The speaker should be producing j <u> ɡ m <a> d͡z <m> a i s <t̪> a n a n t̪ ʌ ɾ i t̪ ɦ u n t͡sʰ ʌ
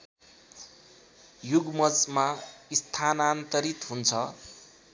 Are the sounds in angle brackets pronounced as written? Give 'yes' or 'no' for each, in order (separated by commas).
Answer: yes, no, yes, no